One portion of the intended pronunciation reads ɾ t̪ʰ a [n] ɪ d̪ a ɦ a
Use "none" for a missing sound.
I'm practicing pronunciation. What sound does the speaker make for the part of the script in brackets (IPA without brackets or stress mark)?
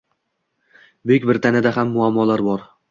n